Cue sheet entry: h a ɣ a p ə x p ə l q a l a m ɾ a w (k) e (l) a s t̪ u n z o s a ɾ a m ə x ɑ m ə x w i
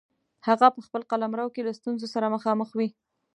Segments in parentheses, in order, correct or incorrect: correct, correct

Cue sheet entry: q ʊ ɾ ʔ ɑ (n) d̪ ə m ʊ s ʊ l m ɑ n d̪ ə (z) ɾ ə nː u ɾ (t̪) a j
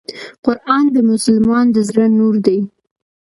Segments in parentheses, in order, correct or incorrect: correct, correct, incorrect

